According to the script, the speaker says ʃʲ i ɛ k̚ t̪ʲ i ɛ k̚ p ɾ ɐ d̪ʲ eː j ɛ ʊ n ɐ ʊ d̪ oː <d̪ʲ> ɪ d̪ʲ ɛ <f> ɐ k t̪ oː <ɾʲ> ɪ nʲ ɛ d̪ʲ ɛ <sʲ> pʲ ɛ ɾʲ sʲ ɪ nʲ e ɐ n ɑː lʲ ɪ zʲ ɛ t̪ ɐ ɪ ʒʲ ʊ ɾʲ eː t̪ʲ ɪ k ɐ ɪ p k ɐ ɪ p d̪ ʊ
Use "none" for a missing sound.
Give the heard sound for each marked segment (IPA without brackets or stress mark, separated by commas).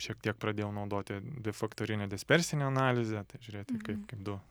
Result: t̪ʲ, f, ɾʲ, sʲ